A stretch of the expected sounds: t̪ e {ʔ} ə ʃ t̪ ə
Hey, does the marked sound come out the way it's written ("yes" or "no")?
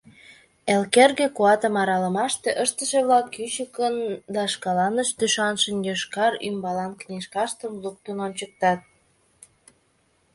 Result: yes